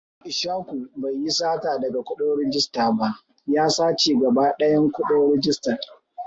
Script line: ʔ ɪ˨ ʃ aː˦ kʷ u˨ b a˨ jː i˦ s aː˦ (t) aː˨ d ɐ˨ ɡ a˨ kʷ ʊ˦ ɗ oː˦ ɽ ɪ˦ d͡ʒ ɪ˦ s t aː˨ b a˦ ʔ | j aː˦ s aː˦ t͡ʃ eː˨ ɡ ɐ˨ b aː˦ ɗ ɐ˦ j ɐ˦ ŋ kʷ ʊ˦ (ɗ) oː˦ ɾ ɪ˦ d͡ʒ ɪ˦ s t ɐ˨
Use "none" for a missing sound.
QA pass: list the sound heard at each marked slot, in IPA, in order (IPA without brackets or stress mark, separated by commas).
t, ɗ